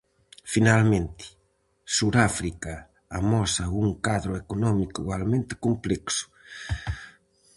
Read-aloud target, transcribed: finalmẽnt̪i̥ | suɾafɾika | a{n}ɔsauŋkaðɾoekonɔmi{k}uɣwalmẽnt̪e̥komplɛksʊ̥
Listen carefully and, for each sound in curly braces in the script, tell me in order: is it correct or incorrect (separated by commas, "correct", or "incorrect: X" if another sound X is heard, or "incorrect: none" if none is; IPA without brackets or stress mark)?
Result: incorrect: m, correct